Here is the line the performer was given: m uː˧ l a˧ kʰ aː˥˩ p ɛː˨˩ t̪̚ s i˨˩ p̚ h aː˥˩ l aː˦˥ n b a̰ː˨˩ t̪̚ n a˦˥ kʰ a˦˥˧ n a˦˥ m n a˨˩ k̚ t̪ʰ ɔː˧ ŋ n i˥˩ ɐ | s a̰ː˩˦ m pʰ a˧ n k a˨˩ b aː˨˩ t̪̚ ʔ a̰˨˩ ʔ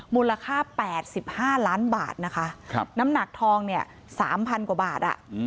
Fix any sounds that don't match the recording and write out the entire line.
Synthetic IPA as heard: m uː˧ l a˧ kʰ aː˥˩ p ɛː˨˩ t̪̚ s i˨˩ p̚ h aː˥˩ l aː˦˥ n b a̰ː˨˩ t̪̚ n a˦˥ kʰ a˦˥˧ n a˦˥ m n a˨˩ k̚ t̪ʰ ɔː˧ ŋ n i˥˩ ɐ | s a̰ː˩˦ m pʰ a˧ n k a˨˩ b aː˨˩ t̪̚ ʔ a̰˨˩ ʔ